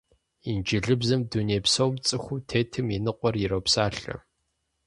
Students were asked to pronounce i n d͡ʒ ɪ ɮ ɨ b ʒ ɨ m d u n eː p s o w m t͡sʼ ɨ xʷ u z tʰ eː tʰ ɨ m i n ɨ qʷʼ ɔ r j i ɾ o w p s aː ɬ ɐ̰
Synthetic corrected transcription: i n d͡ʒ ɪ ɮ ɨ b z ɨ m d u n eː p s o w m t͡sʼ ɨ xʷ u tʰ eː tʰ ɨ m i n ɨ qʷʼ ɔ r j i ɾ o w p s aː ɬ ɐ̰